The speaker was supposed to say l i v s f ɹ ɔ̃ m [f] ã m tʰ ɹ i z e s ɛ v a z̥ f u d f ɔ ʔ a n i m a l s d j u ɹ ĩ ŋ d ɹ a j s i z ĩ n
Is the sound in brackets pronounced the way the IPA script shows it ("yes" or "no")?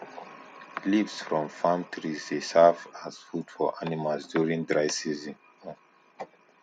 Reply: yes